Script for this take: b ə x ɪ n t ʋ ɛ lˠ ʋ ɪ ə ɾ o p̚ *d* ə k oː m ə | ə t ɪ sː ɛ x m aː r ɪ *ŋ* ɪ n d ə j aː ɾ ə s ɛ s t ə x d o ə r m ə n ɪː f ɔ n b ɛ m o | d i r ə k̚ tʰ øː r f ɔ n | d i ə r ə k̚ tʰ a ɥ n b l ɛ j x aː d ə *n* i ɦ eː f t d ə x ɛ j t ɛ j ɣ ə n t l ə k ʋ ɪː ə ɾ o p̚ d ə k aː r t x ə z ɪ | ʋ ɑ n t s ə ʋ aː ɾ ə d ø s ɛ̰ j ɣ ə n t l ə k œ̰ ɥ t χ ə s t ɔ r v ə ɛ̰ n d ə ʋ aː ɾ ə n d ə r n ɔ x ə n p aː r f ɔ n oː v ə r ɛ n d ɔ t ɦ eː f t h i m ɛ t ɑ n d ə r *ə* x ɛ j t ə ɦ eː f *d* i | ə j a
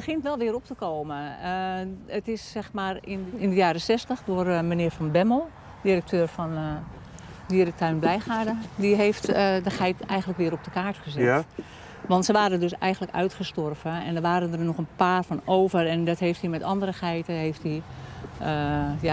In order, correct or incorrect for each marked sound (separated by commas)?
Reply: incorrect, incorrect, incorrect, correct, incorrect